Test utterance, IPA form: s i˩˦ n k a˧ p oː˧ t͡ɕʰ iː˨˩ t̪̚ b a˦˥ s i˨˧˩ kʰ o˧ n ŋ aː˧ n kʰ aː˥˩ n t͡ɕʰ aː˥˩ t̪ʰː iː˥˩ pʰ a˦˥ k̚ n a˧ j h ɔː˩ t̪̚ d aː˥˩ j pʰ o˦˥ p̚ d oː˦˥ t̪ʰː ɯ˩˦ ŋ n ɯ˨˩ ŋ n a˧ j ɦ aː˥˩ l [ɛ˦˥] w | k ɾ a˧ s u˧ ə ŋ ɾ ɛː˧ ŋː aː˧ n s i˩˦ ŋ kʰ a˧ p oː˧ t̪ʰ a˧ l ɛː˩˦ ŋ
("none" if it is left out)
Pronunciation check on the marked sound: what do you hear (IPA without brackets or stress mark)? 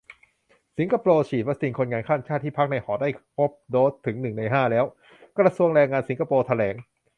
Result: ɛː˦˥